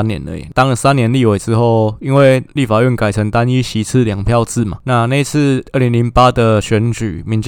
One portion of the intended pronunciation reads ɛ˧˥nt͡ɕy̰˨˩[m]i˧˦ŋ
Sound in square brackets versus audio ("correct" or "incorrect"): correct